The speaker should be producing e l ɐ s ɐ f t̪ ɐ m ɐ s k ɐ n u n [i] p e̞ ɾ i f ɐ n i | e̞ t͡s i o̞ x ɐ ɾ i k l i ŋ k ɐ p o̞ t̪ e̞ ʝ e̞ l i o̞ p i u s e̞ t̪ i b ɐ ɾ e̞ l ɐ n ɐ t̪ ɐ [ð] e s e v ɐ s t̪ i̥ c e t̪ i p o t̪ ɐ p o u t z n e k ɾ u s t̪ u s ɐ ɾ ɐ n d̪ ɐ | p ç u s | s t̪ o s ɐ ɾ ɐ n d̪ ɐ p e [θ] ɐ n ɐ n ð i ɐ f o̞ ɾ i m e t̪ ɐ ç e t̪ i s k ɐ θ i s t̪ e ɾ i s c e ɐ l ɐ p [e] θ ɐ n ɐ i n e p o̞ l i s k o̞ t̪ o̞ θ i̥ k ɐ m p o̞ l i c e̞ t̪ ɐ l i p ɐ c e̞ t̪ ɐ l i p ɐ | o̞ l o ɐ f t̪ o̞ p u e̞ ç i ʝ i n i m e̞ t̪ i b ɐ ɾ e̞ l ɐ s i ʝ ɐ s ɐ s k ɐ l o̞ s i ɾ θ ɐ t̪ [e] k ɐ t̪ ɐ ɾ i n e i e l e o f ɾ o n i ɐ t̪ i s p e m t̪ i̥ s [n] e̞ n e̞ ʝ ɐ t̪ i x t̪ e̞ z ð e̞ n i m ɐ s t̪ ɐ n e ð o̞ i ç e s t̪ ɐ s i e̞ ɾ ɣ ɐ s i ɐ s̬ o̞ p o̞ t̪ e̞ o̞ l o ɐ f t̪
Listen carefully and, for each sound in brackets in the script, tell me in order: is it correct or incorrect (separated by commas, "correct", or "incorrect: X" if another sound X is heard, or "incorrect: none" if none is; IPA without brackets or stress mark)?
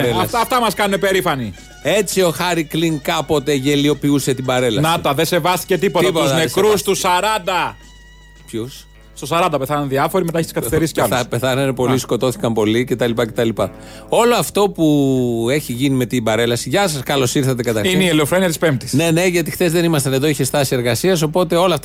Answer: incorrect: e, correct, correct, correct, correct, correct